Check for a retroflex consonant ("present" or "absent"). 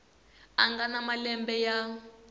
absent